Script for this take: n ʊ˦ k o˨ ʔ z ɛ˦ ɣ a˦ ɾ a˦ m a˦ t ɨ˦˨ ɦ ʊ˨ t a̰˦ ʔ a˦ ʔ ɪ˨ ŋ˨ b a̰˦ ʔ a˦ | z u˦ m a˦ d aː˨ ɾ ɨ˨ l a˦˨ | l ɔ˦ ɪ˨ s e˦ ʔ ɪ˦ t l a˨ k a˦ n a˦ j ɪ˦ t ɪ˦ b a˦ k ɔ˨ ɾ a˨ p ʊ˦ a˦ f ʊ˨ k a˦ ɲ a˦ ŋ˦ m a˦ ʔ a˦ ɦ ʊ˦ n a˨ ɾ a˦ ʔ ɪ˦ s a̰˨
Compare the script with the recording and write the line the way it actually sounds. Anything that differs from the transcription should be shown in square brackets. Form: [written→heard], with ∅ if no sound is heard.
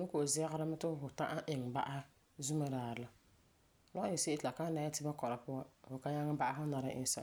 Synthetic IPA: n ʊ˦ k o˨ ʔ z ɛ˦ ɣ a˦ ɾ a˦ m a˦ t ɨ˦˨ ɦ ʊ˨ t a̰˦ ʔ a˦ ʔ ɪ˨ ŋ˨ b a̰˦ ʔ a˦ | z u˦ m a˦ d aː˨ ɾ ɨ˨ l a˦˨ | l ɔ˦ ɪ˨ s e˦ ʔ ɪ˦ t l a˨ k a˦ n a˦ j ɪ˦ t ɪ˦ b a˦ k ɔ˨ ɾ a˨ p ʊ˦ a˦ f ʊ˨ k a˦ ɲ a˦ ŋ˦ [m→b] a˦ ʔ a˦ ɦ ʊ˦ n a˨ ɾ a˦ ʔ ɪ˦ s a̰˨

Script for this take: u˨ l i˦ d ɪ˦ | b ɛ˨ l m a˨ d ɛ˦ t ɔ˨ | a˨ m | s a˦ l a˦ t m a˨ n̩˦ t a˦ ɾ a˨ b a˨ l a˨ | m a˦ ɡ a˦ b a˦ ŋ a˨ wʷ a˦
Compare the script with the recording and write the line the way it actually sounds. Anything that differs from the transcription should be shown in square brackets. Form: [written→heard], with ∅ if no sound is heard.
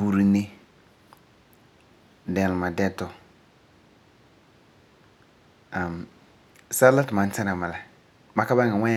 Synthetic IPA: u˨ [l→ɾ] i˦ [d→n] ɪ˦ | [b→d] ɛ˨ l m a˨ d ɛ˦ t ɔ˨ | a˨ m | s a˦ l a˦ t m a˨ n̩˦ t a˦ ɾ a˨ [b→m] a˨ l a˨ | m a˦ [ɡ→k] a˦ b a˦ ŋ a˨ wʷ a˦

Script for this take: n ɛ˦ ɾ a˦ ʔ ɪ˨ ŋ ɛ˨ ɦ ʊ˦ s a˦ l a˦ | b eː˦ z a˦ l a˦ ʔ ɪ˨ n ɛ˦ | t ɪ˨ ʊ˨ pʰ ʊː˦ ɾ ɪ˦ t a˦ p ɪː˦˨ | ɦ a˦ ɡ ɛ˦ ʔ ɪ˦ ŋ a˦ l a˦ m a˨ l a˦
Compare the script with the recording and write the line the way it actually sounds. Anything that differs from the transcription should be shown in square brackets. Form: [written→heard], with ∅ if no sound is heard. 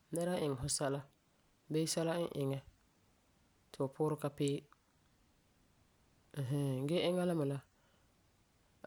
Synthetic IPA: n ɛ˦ ɾ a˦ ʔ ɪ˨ ŋ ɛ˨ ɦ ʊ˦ s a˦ l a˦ | b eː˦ [z→s] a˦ l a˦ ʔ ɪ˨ [n→ŋ] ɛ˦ | t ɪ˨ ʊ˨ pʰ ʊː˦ ɾ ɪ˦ [t→k] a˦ p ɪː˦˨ | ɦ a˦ ɡ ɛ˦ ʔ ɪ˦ ŋ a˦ l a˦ m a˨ l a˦

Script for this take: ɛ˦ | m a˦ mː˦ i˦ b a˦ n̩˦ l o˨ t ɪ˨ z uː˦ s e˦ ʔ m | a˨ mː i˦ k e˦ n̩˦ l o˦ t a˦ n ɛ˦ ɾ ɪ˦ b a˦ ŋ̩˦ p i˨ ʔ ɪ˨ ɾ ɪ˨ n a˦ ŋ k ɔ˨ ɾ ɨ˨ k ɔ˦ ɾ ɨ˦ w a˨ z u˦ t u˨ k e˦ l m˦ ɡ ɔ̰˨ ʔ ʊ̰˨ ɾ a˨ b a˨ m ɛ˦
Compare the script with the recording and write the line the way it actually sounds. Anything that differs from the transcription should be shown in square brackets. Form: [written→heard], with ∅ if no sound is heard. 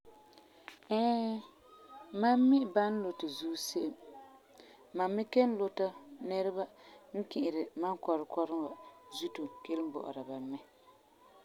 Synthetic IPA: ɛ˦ | m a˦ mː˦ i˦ b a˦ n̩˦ l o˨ t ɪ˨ z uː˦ s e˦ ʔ m | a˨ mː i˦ k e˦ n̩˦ l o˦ t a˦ n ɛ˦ ɾ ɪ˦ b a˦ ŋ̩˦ [p→k] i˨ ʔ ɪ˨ ɾ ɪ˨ [n→m] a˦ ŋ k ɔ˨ ɾ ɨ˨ k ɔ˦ ɾ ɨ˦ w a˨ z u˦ t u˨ k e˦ l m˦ [ɡ→b] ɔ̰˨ ʔ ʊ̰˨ ɾ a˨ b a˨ m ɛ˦

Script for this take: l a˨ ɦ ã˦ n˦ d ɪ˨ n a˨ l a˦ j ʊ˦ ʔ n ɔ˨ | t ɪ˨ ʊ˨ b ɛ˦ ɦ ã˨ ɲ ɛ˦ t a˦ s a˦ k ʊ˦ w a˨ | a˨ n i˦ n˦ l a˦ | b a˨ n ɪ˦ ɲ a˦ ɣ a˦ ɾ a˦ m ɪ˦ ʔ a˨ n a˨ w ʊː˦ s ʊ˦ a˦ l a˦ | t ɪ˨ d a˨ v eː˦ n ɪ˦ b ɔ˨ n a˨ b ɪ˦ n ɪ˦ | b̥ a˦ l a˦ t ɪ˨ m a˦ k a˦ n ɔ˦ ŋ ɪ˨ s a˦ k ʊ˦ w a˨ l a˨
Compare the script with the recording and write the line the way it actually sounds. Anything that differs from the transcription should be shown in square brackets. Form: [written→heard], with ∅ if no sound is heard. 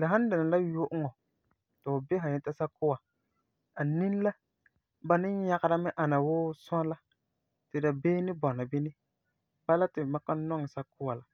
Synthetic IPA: l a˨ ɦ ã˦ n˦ d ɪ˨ n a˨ l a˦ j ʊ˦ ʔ [n→ŋ] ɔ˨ | t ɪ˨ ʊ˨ b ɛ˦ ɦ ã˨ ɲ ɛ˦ t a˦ s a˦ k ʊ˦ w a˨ | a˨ n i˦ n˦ l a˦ | b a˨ n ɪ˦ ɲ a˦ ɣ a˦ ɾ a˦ m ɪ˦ ʔ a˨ n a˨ w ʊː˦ s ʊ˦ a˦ l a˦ | t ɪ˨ d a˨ [v→b] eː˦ n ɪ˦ b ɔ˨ n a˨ b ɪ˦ n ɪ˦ | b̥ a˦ l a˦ t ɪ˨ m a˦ k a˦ n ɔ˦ ŋ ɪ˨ s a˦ k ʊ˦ w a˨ l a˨

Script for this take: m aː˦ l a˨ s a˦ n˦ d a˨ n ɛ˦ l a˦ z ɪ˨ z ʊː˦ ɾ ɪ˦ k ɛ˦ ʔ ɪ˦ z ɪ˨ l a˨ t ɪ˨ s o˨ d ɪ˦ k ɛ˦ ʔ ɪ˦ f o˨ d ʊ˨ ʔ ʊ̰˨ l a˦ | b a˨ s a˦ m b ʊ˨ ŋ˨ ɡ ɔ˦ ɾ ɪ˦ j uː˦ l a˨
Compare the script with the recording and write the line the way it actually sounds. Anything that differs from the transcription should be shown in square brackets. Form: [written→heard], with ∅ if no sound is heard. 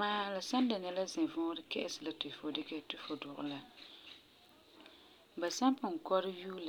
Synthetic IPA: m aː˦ l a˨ s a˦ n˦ d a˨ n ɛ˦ l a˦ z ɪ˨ [z→v] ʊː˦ ɾ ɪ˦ k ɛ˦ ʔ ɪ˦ [z→s] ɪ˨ l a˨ t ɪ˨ [s→f] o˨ d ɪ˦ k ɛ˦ [ʔ→t] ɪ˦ f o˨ d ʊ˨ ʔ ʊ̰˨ l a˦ | b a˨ s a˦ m [b→p] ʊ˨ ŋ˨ [ɡ→k] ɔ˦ ɾ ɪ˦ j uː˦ l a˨

